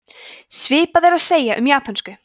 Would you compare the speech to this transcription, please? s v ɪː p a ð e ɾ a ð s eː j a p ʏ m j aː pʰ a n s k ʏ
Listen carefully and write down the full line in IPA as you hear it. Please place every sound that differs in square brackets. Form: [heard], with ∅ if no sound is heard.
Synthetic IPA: s v ɪː p a ð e ɾ a ð s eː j a [ʔ] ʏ m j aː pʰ a n s k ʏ